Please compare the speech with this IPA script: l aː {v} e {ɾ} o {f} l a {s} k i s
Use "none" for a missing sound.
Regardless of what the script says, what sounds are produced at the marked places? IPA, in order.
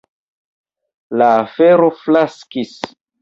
f, ɾ, f, s

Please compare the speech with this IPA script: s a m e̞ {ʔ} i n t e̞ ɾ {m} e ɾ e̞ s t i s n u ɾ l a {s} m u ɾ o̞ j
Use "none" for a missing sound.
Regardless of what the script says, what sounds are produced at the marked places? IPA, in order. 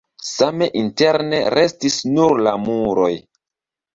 ʔ, n, none

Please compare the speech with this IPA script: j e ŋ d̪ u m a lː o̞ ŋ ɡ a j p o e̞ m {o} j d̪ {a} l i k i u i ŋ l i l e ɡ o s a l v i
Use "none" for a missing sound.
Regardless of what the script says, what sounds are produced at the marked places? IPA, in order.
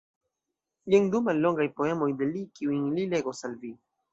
o, e

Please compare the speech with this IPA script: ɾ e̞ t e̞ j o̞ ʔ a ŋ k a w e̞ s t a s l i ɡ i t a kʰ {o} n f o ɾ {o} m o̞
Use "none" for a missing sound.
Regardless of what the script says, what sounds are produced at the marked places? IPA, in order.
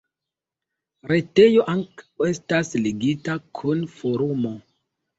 u, u

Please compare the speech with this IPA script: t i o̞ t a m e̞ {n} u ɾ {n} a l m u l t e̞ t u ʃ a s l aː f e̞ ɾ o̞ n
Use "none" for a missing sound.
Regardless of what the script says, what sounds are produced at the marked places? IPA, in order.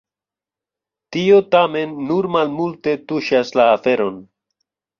nː, m

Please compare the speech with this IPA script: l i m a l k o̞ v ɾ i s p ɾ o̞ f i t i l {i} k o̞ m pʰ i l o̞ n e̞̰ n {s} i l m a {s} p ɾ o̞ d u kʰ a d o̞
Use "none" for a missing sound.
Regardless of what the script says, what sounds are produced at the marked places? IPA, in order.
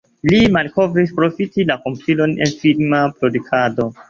a, f, none

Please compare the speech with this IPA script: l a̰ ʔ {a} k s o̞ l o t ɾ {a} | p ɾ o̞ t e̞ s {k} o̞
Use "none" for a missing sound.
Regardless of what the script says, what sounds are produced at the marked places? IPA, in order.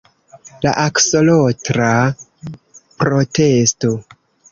a, a, t

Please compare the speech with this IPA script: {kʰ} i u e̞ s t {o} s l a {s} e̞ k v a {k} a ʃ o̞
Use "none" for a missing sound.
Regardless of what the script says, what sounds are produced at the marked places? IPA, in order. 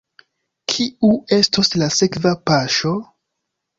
kʰ, o, s, p

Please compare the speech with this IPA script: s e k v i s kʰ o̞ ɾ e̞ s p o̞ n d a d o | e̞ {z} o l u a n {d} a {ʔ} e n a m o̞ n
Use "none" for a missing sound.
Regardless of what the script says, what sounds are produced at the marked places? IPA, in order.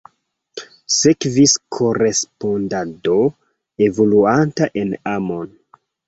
v, t, ʔ

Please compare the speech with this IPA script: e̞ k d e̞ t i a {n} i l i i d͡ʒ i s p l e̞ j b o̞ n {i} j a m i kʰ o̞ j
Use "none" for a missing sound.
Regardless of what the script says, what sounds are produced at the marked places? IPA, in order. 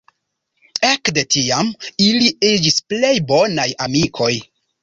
m, a

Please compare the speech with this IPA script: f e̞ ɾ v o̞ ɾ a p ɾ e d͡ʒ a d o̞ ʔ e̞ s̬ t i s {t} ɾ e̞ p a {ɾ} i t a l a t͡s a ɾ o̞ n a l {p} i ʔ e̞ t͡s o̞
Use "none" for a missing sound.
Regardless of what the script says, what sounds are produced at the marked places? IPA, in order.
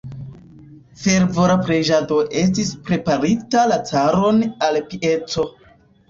p, ɾ, p

